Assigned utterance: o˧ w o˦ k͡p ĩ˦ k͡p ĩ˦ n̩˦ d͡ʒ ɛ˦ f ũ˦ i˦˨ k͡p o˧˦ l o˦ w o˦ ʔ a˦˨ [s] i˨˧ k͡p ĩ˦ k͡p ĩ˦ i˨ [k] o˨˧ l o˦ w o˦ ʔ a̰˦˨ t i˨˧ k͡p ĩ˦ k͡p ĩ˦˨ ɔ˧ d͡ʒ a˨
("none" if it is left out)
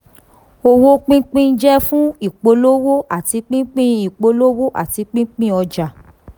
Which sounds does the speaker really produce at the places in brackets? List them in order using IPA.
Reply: t, k͡p

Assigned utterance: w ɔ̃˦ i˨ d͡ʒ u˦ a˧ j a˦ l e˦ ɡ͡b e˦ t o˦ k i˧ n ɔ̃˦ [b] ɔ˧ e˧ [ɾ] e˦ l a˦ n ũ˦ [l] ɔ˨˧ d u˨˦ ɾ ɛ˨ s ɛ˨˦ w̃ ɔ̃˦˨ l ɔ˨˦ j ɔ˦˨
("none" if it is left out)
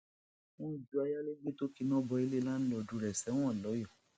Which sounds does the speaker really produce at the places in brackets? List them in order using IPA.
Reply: b, l, l

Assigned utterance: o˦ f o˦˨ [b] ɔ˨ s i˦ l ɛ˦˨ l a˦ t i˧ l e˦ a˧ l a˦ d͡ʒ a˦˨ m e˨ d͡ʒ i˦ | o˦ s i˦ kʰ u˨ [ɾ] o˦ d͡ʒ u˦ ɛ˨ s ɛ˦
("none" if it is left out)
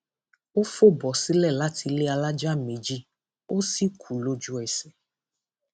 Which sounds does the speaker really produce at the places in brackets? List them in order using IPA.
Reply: b, l

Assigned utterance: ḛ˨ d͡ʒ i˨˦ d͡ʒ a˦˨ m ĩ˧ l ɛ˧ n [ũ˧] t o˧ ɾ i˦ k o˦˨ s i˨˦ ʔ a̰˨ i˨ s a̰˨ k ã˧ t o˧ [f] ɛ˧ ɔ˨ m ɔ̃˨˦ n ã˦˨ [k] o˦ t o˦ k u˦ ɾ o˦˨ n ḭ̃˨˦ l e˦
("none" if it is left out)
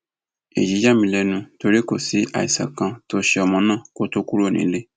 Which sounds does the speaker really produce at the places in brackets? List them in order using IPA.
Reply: ũ˧, ʃ, k

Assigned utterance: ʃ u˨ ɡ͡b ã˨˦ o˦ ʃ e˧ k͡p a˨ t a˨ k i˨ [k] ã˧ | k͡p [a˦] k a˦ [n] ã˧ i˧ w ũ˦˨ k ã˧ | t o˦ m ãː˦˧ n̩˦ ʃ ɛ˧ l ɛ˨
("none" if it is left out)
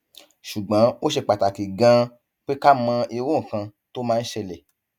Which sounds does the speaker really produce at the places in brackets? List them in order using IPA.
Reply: ɡ, e˦, m

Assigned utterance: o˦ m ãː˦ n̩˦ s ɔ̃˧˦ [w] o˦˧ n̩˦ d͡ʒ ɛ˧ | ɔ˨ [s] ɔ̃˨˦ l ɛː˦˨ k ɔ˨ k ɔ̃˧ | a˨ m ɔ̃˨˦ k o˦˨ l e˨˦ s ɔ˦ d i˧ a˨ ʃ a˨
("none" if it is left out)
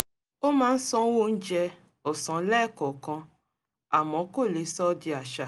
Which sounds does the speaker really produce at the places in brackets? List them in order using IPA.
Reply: w, s

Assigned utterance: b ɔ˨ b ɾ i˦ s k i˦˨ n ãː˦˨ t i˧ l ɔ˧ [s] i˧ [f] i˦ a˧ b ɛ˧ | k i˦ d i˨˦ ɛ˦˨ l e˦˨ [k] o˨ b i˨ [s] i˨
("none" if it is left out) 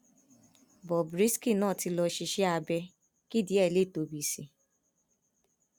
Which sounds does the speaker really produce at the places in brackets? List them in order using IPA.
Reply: ʃ, ʃ, t, s

